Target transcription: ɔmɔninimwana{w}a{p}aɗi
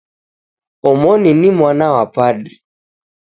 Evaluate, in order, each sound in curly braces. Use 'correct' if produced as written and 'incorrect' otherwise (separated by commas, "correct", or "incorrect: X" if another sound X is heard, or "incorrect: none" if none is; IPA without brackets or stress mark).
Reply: correct, correct